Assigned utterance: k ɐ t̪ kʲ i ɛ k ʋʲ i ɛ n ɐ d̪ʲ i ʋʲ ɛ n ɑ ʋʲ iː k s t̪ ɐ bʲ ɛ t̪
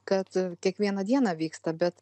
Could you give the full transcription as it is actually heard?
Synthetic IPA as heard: k ɐ t̪ kʲ i ɛ k ʋʲ i ɛ n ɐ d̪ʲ i ɛ n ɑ ʋʲ iː k s t̪ ɐ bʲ ɛ t̪